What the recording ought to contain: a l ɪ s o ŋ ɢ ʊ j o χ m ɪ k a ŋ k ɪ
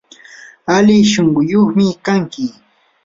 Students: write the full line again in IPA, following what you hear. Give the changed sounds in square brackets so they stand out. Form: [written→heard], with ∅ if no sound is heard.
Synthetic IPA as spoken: a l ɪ [s→ʃ] o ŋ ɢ ʊ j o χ m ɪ k a ŋ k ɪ